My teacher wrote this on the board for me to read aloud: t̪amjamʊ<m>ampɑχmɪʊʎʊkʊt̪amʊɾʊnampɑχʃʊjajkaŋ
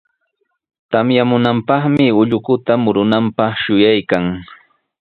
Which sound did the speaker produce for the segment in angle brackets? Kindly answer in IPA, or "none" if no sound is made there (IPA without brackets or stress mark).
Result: n